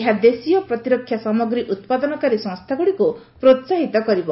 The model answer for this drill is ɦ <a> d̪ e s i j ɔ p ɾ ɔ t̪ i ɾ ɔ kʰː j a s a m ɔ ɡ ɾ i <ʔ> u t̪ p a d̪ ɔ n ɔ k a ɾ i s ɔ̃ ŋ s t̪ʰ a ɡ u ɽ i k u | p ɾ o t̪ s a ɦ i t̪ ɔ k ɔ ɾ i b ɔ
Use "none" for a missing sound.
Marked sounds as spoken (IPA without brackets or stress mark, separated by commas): a, ʔ